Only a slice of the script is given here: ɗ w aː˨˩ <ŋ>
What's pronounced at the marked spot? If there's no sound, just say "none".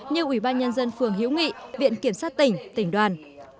n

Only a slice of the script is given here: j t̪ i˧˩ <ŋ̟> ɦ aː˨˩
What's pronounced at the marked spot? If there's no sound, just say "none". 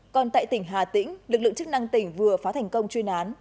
ŋ̟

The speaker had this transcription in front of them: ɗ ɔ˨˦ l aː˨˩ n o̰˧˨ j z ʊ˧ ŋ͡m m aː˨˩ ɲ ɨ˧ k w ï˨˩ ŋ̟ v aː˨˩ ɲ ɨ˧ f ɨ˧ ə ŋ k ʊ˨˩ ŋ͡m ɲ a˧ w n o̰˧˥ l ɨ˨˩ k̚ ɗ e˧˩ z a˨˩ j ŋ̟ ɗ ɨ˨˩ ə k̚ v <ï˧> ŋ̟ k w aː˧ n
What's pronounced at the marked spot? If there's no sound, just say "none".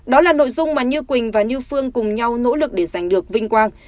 ï˧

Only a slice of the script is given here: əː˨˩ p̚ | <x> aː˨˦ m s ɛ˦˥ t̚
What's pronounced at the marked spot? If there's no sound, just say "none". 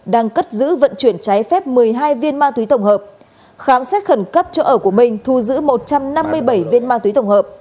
x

